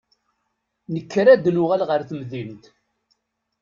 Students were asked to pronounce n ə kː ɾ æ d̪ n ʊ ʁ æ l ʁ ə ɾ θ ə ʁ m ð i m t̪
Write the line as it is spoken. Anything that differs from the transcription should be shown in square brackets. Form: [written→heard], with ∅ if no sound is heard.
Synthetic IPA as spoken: n ə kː ɾ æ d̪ n ʊ ʁ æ l ʁ ə ɾ θ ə [ʁ→∅] m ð i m t̪